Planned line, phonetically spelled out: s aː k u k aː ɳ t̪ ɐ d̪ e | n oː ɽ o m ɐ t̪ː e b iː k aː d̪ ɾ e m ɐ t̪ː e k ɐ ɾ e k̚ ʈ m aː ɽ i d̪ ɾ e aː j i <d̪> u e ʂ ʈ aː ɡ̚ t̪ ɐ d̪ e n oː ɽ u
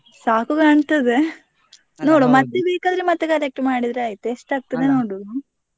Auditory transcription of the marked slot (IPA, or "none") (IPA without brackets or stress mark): t̪